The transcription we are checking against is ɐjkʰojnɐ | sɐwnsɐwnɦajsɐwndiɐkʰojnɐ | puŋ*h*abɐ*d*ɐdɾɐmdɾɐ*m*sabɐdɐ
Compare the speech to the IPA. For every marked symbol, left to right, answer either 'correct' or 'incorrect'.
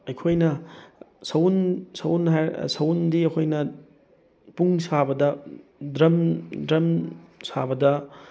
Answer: incorrect, correct, correct

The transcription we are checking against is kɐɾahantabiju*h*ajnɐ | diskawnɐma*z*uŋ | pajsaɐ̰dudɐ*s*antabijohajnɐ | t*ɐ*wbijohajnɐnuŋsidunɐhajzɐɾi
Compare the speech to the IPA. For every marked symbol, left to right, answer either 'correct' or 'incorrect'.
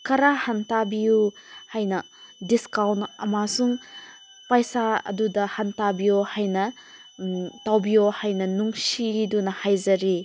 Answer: correct, incorrect, incorrect, incorrect

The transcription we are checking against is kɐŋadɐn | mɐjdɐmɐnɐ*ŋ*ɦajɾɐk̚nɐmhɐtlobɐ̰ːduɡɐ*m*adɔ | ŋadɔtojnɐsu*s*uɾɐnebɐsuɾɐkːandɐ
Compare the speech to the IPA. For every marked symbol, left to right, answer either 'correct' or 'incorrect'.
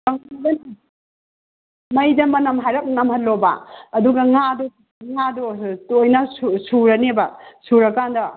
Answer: incorrect, incorrect, correct

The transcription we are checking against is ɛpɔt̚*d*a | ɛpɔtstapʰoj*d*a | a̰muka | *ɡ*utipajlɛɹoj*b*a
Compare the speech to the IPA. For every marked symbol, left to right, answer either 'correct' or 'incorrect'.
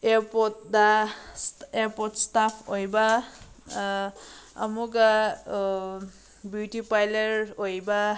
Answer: correct, incorrect, incorrect, correct

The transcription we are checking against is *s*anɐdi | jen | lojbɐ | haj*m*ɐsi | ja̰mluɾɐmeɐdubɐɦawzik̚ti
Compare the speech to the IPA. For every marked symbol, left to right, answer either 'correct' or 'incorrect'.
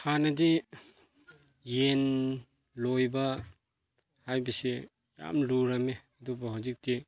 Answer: incorrect, incorrect

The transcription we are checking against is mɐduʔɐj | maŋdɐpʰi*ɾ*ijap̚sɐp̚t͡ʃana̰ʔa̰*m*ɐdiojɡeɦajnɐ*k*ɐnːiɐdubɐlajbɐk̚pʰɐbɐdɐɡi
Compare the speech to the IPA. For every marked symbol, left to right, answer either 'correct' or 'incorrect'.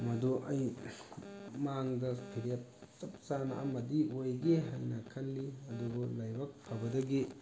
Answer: correct, correct, incorrect

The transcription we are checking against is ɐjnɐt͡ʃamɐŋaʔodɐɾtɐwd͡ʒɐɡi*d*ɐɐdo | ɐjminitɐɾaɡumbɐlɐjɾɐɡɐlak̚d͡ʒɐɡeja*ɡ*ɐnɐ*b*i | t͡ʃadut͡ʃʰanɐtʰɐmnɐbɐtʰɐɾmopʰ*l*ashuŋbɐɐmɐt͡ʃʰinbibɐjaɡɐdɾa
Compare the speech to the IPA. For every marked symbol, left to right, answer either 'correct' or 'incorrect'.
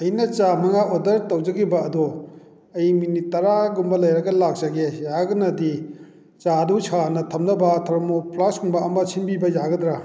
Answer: incorrect, correct, incorrect, correct

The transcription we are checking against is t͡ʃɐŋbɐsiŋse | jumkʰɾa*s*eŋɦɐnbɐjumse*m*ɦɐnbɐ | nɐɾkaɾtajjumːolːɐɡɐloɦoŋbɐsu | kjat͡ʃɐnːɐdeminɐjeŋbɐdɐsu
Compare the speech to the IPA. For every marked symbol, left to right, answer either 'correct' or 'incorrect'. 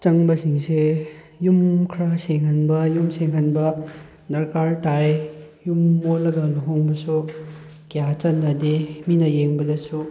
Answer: correct, incorrect

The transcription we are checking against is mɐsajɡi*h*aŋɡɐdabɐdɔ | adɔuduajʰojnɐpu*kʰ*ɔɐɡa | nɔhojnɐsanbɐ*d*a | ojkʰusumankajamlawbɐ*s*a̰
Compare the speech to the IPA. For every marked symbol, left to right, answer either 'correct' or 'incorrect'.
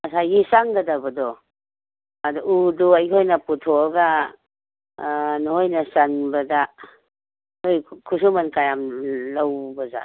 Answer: incorrect, incorrect, correct, incorrect

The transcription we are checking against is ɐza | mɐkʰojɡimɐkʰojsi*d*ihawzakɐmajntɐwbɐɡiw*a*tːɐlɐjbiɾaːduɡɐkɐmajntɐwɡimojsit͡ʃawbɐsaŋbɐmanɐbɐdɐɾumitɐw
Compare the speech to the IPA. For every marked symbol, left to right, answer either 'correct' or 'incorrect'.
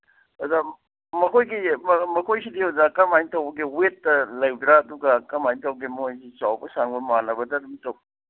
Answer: correct, incorrect

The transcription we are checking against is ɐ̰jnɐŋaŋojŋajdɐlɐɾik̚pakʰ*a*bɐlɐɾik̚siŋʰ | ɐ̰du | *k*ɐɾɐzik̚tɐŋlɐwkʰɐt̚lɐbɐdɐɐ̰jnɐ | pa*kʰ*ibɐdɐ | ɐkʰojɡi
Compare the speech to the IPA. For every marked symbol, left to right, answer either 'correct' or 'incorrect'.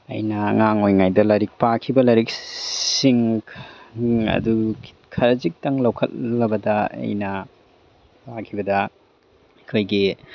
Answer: incorrect, incorrect, correct

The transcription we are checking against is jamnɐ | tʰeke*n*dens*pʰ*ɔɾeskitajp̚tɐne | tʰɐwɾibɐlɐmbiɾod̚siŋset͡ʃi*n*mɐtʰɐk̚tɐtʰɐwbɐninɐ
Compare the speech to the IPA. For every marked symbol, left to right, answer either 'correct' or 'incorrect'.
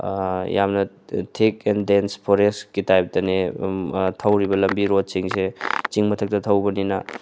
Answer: correct, correct, incorrect

